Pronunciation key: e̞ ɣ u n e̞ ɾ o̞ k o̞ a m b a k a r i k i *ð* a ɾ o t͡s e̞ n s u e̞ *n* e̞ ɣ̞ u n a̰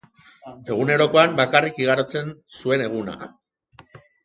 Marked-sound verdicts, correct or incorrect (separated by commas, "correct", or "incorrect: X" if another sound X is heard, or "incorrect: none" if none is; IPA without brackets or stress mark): incorrect: ɣ, correct